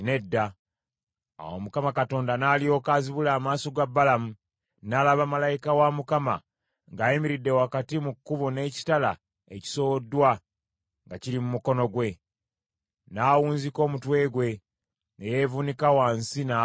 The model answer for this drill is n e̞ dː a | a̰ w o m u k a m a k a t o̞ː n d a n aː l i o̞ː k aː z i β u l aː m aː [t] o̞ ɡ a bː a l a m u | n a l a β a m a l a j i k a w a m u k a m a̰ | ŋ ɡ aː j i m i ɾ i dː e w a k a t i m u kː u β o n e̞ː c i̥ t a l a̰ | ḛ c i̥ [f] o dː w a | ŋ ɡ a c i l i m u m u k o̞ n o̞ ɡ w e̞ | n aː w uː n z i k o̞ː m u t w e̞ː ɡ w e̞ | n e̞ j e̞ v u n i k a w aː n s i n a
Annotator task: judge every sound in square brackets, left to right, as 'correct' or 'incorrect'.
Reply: incorrect: s, incorrect: s

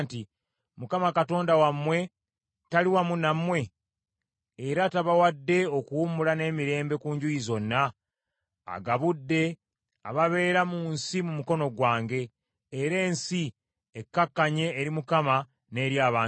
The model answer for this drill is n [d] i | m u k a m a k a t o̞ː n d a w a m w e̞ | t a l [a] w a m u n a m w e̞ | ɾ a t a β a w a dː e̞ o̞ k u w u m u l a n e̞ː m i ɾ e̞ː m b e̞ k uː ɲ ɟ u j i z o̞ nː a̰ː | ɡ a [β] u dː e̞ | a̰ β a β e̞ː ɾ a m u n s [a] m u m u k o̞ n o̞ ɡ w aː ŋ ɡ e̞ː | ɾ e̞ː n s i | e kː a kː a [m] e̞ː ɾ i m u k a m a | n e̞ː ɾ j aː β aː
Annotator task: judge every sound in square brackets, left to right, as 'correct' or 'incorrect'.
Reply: incorrect: t, incorrect: i, correct, incorrect: i, incorrect: ɲ

